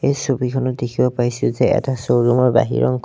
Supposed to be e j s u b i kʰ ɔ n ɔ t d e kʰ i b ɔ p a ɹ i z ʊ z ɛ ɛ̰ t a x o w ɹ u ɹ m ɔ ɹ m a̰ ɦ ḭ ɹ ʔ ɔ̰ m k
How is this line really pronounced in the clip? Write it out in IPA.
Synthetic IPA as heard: e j s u b i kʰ ɔ n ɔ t d e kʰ i b ɔ p a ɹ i s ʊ z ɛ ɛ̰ t a s o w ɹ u m ɔ ɹ b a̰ ɦ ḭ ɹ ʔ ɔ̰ ŋ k